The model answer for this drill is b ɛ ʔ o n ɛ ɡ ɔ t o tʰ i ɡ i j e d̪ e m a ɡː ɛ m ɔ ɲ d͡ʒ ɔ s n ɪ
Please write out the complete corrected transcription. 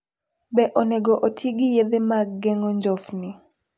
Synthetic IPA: b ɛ ʔ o n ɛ ɡ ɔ ʔ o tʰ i ɡ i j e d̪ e m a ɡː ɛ ŋ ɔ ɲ d͡ʒ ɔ f n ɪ